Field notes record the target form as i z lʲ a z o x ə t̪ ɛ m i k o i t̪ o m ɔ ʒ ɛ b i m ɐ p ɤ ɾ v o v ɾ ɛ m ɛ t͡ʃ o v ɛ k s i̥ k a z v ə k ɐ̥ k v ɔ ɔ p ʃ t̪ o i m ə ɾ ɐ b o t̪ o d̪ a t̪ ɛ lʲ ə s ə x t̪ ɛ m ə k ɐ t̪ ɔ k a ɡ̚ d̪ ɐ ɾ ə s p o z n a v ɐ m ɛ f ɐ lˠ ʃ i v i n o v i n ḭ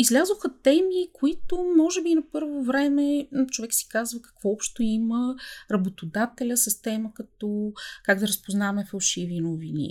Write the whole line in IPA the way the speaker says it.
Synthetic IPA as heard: i z lʲ a z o x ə t̪ ɛ m i k o i t̪ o m ɔ ʒ ɛ b i n ɐ p ɤ ɾ v o v ɾ ɛ m ɛ t͡ʃ o v ɛ k s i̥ k a z v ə k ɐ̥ k v ɔ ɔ p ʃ t̪ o i m ə ɾ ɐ b o t̪ o d̪ a t̪ ɛ lʲ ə s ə s t̪ ɛ m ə k ɐ t̪ ɔ k a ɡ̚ d̪ ɐ ɾ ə s p o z n a v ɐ m ɛ f ɐ lˠ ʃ i v i n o v i n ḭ